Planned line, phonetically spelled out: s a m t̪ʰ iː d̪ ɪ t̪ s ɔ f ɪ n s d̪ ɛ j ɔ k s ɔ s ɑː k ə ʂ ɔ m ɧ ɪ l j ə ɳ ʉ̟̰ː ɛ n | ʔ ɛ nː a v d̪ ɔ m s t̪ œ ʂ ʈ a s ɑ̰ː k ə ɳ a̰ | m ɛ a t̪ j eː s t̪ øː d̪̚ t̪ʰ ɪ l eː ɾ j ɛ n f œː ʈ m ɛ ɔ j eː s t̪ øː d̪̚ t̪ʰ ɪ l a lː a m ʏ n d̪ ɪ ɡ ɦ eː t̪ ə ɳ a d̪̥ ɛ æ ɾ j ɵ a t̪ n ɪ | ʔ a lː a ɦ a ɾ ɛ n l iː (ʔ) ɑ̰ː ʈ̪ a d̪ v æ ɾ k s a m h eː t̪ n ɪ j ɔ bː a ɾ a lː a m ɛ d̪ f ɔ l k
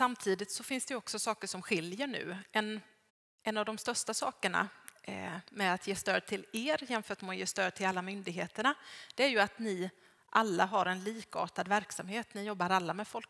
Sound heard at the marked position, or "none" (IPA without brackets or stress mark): k